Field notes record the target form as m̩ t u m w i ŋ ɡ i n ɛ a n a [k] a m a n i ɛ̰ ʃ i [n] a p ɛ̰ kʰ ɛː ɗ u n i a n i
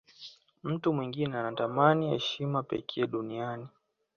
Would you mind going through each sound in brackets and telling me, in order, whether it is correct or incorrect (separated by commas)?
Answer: incorrect, incorrect